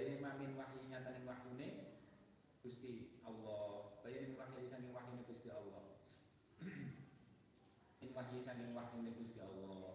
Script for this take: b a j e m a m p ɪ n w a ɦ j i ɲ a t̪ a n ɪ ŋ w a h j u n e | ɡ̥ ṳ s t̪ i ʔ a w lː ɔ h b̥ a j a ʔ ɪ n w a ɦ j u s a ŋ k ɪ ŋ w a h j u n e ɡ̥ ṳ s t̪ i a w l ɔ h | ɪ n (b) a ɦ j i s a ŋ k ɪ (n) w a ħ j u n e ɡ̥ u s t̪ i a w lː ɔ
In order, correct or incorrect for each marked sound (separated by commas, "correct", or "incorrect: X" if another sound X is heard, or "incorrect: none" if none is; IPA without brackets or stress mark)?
incorrect: w, incorrect: ŋ